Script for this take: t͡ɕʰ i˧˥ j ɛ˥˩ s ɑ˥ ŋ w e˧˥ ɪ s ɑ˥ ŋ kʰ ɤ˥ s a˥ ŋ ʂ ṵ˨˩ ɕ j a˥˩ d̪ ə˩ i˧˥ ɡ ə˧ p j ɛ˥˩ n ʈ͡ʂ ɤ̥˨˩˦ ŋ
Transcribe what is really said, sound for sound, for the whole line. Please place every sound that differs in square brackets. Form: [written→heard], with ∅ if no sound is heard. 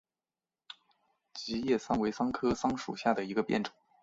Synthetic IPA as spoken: [t͡ɕʰ→t͡ɕ] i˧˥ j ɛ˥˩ s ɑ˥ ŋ w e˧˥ ɪ s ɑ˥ ŋ kʰ ɤ˥ s [a˥→ɑ˥] ŋ ʂ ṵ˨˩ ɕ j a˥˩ d̪ ə˩ i˧˥ ɡ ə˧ p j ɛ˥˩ n ʈ͡ʂ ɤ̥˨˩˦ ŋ